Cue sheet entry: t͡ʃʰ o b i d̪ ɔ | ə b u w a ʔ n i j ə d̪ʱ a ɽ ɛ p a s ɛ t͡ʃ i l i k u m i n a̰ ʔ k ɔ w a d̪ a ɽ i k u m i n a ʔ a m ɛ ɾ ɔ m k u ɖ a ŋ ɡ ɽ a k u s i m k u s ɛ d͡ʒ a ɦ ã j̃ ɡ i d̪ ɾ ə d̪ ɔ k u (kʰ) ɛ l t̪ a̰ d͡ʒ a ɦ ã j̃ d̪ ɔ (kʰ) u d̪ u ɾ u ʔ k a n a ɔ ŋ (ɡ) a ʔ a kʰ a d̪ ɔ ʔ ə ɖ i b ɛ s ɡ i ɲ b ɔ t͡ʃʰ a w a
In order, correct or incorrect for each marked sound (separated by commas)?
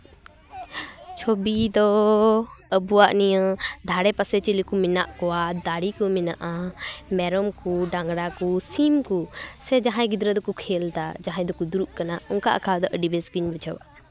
correct, incorrect, incorrect